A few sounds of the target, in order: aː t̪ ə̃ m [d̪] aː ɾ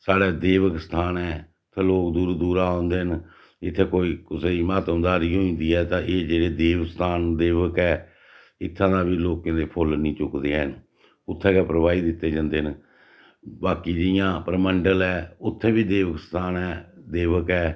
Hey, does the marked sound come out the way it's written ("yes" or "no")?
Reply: yes